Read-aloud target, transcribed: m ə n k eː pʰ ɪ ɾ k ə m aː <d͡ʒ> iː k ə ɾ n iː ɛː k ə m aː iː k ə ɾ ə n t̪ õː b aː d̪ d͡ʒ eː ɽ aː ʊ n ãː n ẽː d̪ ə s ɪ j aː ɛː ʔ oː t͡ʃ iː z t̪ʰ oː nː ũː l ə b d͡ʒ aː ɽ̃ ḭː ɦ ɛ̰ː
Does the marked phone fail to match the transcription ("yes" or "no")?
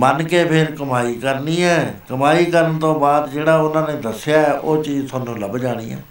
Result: yes